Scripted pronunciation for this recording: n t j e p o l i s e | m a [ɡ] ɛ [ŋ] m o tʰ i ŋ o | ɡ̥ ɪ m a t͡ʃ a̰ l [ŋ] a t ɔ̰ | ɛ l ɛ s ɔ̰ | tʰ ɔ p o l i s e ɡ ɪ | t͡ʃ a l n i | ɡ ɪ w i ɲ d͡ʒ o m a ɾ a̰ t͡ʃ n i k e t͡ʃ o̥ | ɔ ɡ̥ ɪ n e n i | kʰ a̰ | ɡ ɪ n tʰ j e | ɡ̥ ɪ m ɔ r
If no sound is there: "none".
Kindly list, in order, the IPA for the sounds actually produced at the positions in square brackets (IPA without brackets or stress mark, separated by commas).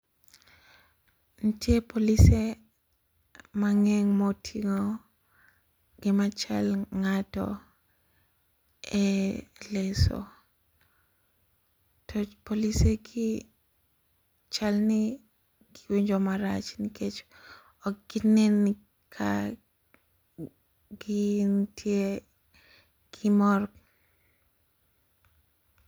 ŋ, ŋ, ŋ